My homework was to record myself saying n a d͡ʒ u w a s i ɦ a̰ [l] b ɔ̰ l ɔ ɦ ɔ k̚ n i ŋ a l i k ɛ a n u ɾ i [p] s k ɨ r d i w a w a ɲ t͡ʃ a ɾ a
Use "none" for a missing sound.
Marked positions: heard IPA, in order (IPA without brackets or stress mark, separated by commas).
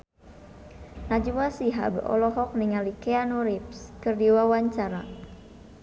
none, p